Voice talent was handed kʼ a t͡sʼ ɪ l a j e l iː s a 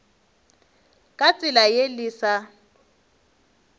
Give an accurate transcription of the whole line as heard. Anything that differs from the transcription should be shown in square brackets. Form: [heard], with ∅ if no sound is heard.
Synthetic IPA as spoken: kʼ a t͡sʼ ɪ l a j e l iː s a